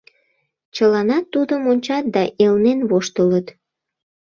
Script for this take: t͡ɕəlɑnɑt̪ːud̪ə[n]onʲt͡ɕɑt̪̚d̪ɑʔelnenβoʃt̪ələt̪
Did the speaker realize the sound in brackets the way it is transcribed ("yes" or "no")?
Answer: no